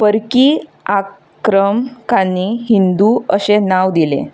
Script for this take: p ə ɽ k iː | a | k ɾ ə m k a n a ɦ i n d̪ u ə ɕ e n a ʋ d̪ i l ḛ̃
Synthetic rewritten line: p ə ɾ k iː | a | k ɾ ə m k a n i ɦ i n d̪ u ə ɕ e n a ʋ d̪ i l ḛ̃